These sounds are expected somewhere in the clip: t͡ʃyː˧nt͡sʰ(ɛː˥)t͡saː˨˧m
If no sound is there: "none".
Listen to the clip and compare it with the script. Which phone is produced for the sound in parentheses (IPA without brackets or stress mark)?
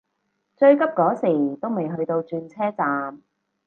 ɛː˥